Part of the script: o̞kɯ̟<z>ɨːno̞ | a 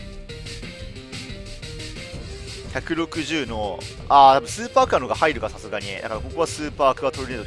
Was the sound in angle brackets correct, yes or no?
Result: no